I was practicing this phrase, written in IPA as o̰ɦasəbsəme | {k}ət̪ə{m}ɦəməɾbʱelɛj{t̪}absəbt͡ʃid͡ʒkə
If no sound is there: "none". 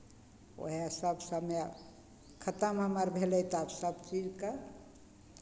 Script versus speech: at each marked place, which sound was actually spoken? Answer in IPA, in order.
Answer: kʰ, m, t̪

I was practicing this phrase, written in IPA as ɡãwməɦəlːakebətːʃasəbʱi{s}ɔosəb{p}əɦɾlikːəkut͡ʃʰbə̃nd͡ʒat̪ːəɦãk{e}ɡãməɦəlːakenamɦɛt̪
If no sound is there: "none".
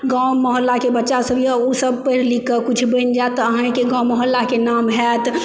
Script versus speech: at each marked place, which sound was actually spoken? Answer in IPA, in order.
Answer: none, p, e

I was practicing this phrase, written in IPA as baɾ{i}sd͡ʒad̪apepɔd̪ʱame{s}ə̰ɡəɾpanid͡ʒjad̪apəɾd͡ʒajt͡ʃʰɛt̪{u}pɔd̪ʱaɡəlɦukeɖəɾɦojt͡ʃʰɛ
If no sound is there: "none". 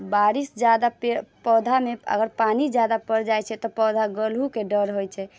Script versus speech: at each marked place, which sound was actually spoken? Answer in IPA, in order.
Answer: i, none, ɔ

